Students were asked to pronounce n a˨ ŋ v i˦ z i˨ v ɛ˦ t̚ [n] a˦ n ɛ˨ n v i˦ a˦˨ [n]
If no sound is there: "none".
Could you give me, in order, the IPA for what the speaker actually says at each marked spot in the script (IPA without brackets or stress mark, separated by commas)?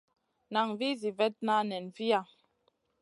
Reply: n, none